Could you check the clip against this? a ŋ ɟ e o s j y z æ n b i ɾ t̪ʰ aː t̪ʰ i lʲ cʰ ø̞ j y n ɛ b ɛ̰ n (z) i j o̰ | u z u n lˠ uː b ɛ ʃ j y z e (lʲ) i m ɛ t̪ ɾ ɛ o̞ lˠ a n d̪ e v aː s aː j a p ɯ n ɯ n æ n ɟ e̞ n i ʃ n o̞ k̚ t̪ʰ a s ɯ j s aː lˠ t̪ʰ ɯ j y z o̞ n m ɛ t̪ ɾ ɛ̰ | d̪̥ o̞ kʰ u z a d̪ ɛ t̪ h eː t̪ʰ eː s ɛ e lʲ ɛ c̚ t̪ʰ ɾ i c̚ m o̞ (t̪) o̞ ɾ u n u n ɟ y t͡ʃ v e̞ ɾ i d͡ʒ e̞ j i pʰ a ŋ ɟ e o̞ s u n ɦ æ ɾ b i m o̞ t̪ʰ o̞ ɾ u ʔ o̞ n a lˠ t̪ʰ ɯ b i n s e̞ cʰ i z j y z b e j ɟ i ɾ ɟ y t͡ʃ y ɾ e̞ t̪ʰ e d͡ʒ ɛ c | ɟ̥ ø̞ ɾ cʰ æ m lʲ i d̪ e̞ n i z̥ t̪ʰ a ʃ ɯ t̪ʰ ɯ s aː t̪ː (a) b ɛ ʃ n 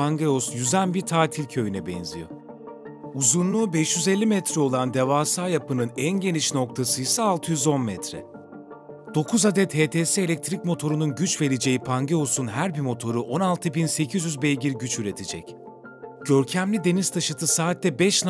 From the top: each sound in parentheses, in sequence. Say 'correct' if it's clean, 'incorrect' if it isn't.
correct, incorrect, incorrect, incorrect

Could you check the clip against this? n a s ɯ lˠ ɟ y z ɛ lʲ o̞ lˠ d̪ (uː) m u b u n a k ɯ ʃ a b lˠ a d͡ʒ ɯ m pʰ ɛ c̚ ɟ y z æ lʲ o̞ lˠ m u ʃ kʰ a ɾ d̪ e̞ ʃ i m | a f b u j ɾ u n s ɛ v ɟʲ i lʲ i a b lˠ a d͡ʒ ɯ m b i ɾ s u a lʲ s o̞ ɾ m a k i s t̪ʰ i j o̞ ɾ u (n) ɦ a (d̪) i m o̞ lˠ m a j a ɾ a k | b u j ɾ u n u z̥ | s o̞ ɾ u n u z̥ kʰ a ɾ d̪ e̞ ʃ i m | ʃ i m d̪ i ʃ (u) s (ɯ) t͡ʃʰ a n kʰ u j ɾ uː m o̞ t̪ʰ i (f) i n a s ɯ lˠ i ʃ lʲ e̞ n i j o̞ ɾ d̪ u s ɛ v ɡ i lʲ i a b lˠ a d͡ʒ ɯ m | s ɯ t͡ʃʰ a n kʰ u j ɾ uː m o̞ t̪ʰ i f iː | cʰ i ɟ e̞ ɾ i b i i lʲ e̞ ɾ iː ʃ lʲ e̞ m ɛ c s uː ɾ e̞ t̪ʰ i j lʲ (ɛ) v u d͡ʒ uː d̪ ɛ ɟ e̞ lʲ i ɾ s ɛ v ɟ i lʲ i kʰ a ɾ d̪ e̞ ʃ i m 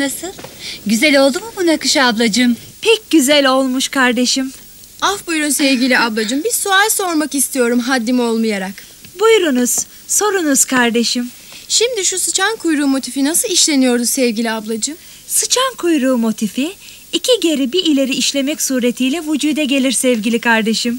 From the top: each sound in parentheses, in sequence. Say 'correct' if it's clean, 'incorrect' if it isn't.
incorrect, incorrect, incorrect, correct, correct, correct, correct

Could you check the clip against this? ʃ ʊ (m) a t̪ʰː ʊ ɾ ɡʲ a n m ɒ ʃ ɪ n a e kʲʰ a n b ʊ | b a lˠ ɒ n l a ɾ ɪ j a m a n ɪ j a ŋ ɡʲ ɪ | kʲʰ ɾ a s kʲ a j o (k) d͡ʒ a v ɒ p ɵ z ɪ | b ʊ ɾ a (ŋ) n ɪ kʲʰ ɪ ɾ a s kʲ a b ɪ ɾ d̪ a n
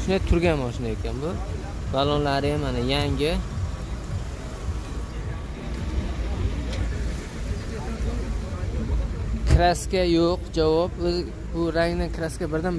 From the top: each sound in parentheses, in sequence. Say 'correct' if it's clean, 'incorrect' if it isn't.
incorrect, incorrect, correct

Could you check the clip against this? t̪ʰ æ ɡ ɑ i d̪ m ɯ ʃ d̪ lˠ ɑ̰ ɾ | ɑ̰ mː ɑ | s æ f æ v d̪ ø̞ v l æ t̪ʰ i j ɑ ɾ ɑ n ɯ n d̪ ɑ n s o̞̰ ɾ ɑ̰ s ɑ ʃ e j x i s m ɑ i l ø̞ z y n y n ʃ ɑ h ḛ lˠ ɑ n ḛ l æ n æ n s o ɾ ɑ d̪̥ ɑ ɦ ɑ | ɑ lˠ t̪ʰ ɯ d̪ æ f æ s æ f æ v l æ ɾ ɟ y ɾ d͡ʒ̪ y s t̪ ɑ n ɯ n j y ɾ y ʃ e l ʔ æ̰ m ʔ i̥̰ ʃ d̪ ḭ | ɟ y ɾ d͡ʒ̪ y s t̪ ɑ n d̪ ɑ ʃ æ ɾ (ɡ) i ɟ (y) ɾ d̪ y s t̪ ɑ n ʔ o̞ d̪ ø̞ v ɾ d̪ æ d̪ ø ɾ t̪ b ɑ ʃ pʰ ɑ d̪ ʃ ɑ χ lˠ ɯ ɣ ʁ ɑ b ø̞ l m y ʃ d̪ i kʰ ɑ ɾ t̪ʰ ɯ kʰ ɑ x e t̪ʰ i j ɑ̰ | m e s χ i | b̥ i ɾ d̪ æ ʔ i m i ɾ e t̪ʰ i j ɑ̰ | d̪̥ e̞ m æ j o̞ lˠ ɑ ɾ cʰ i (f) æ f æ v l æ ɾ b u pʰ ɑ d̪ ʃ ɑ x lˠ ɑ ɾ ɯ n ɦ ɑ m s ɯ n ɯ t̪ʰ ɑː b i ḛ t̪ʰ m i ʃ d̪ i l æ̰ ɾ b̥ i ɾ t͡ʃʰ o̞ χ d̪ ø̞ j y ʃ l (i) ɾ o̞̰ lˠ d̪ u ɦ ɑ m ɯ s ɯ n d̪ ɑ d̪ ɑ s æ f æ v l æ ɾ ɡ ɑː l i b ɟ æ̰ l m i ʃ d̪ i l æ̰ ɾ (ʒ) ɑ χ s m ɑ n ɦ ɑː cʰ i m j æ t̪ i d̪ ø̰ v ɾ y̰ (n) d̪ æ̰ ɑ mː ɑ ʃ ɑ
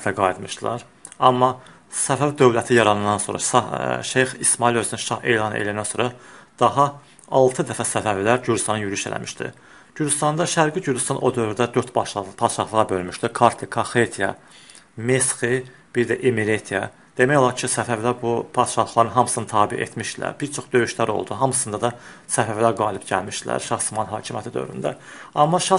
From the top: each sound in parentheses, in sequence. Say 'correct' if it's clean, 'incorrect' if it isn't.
correct, correct, incorrect, incorrect, incorrect, correct

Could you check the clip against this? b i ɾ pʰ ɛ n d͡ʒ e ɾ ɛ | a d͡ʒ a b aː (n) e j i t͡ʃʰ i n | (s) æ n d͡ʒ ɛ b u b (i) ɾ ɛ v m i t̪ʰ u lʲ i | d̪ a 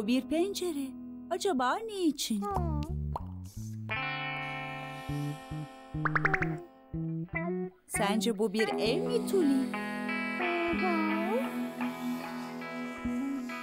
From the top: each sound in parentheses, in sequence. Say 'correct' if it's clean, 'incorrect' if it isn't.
correct, correct, correct

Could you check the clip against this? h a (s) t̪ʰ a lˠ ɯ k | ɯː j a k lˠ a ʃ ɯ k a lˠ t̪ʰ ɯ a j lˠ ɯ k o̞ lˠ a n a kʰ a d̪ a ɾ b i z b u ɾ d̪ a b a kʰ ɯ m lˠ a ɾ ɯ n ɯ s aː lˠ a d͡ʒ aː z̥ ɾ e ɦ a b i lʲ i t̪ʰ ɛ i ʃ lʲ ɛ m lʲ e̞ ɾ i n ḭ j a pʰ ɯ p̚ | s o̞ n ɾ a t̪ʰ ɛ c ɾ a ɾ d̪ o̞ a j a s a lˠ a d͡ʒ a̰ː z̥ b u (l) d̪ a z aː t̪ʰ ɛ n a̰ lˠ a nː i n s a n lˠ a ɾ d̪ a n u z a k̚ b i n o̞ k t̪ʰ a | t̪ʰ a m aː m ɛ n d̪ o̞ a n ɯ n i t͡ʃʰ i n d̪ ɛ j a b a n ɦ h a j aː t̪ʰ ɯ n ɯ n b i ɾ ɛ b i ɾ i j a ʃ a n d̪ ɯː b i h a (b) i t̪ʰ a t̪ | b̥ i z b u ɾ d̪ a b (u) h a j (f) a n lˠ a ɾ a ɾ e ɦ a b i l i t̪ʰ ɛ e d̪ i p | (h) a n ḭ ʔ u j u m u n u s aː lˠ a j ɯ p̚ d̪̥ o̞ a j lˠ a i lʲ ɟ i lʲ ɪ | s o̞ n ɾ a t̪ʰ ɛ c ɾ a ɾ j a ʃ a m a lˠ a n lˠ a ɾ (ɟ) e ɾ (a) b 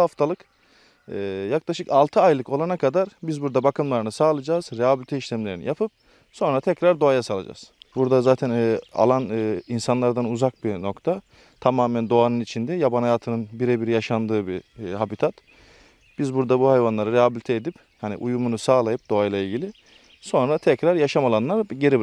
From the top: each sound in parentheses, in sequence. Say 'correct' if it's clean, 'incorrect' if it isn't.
incorrect, incorrect, correct, correct, incorrect, correct, correct, incorrect

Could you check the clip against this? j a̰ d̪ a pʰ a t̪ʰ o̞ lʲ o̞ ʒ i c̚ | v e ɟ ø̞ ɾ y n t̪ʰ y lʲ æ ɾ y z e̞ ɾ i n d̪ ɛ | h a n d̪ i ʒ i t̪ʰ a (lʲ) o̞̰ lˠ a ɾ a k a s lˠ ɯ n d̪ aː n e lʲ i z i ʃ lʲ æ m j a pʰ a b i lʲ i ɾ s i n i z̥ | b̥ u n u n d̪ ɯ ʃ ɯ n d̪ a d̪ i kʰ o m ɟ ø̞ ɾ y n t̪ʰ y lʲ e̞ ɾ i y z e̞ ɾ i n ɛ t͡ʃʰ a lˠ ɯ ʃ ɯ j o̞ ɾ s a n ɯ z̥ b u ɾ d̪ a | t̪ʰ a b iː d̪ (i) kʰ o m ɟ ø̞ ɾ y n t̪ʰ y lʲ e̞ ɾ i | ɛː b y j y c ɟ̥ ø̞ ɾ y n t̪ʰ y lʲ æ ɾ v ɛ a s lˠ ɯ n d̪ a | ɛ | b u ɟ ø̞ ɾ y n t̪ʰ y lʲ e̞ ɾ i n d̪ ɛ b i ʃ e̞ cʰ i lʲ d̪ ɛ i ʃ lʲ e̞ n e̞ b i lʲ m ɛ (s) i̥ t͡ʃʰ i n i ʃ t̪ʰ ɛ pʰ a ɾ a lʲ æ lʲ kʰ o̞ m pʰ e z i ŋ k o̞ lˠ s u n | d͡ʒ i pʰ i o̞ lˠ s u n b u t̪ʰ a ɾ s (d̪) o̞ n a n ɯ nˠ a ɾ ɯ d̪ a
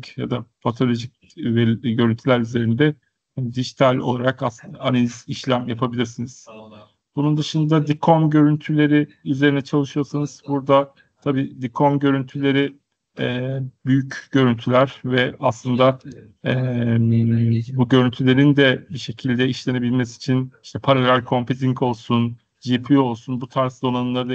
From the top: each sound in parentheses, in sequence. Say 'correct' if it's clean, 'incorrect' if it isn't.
correct, correct, correct, correct

